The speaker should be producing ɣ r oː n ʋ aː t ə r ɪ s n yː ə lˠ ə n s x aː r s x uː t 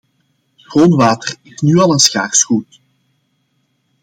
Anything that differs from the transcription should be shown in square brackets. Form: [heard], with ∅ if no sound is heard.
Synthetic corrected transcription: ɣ r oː n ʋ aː t ə r ɪ s n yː [ɑ] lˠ ə n s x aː r s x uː t

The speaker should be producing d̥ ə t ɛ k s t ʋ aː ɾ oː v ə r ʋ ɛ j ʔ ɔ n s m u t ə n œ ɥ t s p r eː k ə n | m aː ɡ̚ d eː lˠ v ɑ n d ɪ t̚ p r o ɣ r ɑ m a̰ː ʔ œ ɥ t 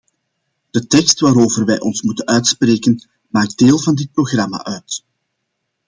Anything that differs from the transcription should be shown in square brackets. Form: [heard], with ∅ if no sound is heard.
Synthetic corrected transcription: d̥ ə t ɛ k s t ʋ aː ɾ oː v ə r ʋ ɛ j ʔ ɔ n s m u t ə n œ ɥ t s p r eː k ə n | m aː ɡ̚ d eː lˠ v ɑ n d ɪ t̚ p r o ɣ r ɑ m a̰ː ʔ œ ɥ t

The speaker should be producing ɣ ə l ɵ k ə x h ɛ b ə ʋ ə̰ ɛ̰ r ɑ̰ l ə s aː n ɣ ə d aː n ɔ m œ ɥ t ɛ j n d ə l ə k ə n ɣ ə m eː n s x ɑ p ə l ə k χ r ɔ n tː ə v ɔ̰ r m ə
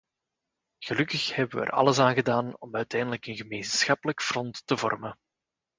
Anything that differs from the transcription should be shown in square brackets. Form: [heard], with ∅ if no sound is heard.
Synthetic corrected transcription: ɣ ə l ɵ k ə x h ɛ b ə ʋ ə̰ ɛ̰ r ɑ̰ l ə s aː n ɣ ə d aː n ɔ m œ ɥ t ɛ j n d ə l ə k ə n ɣ ə m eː n s x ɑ p ə l ə k [f] r ɔ n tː ə v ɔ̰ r m ə

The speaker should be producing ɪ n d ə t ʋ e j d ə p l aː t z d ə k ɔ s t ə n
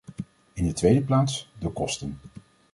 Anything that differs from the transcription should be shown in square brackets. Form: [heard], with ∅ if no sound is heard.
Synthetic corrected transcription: ɪ n d ə t ʋ e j d ə p l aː t [s] d ə k ɔ s t ə n

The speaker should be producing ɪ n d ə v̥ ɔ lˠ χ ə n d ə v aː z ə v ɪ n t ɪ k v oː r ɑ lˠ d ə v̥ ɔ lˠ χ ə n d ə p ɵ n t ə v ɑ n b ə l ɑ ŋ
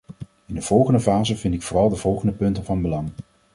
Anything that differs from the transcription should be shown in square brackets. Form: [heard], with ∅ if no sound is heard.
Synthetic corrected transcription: ɪ n d ə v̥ ɔ lˠ χ ə n d ə v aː z ə v ɪ n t ɪ k [f] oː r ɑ lˠ d ə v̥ ɔ lˠ χ ə n d ə p ɵ n t ə v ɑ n b ə l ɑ ŋ

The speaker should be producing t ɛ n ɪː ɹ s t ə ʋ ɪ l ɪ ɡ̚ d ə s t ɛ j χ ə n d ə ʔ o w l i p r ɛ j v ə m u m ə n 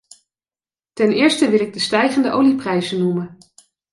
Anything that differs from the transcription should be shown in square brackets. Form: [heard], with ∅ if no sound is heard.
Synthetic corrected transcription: t ɛ n ɪː ɹ s t ə ʋ ɪ l ɪ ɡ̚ d ə s t ɛ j χ ə n d ə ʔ o w l i p r ɛ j [z] ə [n] u m ə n

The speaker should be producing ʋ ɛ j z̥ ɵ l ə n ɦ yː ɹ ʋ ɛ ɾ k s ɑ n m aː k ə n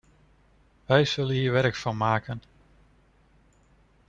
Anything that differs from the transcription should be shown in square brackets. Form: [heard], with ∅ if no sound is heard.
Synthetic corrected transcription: ʋ ɛ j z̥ ɵ l ə n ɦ [iː] ɹ ʋ ɛ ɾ k [f] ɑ n m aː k ə n

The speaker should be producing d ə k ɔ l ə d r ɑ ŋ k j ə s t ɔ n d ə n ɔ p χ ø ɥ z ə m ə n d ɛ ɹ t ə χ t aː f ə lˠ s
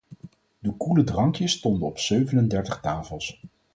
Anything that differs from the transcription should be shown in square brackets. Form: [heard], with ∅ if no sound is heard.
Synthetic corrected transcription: d ə k [u] l ə d r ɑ ŋ k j ə s t ɔ n d ə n ɔ p [s] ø ɥ [v] ə [n] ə n d ɛ ɹ t ə χ t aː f ə lˠ s

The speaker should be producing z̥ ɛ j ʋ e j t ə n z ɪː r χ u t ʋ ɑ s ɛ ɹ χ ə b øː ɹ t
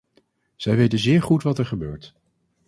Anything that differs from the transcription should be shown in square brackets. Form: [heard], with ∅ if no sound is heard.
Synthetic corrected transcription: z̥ ɛ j ʋ e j t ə n z ɪː [ɹ] χ u t ʋ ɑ [t] ɛ ɹ χ ə b øː ɹ t

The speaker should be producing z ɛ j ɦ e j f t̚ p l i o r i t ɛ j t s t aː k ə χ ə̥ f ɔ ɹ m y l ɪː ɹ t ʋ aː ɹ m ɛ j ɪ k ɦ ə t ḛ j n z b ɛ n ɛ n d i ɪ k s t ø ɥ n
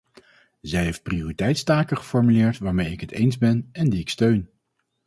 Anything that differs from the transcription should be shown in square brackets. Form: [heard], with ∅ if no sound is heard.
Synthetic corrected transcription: z ɛ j ɦ e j f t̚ p [r] i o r i t ɛ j t s t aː k ə χ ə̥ f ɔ ɹ m y l ɪː ɹ t ʋ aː ɹ m [e] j ɪ k ɦ ə t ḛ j n z b ɛ n ɛ n d i ɪ k s t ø ɥ n

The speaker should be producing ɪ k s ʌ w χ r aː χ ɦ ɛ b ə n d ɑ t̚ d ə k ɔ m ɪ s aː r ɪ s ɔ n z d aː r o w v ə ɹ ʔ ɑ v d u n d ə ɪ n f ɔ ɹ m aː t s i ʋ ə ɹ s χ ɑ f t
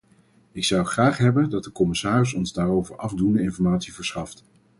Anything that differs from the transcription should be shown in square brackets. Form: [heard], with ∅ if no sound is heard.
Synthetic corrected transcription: ɪ k s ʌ w χ r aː χ ɦ ɛ b ə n d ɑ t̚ d ə k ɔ m ɪ s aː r ɪ s ɔ n z d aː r o w v ə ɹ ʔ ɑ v d u n d ə ɪ n f ɔ ɹ m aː t s i [v] ə ɹ s χ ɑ f t

